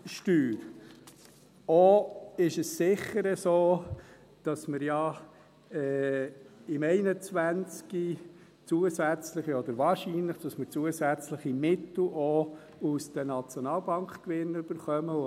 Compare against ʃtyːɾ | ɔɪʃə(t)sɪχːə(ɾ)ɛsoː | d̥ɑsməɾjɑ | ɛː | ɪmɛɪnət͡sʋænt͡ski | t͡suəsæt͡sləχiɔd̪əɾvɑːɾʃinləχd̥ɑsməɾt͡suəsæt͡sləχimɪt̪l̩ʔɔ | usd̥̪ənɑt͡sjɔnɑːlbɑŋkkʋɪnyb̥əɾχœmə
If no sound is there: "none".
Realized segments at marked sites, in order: s, ɾ

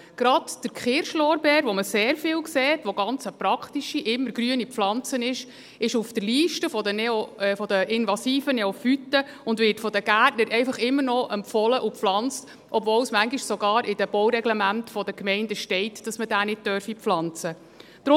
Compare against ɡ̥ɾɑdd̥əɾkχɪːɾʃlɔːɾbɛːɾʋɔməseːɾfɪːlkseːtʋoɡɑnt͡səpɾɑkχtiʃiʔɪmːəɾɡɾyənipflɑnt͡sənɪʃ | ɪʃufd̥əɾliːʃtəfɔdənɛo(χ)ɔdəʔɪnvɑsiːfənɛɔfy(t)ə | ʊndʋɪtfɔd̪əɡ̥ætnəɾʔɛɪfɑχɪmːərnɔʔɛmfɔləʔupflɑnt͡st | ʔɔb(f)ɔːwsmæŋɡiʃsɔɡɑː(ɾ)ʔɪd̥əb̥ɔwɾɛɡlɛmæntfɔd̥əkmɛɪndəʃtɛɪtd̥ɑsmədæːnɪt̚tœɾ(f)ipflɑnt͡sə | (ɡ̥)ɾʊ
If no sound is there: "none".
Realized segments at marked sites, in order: f, t, v, ɾ, f, d̥

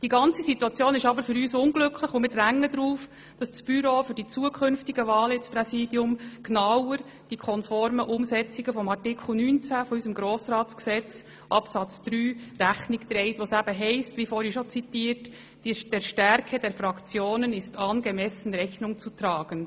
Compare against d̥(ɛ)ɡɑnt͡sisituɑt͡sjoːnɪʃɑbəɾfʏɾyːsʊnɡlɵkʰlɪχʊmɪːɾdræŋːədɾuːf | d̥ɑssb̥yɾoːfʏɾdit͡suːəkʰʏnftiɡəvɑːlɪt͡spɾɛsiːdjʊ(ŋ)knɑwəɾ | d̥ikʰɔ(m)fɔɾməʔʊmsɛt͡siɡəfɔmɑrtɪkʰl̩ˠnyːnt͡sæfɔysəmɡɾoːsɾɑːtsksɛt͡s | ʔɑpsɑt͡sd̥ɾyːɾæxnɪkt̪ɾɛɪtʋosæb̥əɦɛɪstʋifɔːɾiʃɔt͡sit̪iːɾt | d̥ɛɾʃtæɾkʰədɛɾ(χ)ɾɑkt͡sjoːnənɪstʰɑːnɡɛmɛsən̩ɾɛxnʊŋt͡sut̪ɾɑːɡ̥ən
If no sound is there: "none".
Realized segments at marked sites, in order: i, m, n, f

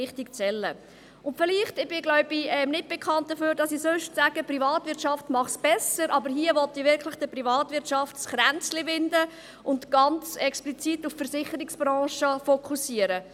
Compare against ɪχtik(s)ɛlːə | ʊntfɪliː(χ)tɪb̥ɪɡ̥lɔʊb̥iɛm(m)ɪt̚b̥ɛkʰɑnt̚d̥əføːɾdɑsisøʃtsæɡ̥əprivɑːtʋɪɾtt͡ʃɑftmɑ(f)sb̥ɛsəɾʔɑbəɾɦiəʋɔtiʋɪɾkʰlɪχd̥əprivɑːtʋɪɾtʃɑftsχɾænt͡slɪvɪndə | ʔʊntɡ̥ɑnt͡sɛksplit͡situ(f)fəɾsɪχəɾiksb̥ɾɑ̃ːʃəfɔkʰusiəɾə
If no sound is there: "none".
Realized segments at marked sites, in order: t͡s, χ, n, χ, f

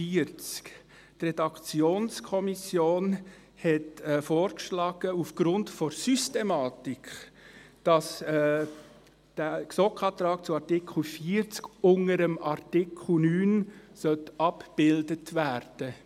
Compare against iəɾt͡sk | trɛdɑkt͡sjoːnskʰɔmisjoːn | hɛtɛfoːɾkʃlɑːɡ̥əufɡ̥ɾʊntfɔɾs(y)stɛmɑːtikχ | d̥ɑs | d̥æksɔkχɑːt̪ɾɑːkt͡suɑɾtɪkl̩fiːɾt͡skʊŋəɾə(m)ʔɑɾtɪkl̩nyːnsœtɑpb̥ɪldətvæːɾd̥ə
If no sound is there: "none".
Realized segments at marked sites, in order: y, m

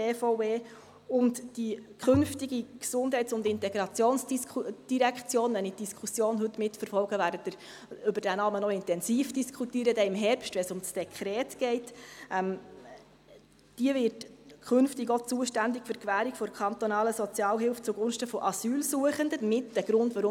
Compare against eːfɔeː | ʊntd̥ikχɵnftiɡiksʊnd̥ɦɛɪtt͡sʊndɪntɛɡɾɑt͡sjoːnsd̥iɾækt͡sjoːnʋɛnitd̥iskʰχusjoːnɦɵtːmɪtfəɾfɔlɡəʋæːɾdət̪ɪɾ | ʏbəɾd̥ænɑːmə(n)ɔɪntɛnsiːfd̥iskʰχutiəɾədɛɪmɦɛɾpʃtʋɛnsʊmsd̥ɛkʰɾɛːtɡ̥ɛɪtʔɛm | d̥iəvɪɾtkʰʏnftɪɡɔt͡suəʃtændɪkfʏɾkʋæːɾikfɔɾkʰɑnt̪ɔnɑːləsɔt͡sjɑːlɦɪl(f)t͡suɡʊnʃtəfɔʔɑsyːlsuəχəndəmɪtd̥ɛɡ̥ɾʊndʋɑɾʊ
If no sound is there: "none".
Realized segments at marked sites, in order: n, f

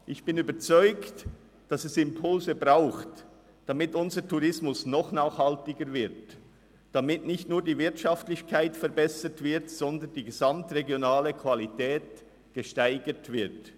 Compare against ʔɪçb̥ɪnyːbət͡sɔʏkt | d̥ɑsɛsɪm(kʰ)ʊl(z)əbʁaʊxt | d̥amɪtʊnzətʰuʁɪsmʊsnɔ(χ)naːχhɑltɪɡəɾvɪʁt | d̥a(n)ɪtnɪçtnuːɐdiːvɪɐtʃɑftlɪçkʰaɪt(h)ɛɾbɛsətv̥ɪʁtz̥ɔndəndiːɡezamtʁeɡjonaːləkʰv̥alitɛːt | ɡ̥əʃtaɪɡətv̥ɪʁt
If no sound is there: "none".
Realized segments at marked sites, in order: pʰ, z, χ, m, f

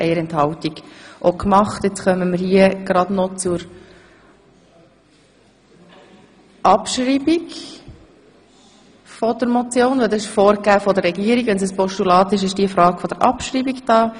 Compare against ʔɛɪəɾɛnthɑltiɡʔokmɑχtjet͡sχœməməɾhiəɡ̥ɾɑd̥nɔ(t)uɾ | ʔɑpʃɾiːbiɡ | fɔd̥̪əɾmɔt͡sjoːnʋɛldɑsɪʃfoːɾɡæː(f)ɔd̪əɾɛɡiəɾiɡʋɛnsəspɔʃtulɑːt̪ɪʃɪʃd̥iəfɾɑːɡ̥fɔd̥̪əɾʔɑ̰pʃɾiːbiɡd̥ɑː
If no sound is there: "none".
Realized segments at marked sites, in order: t͡s, f

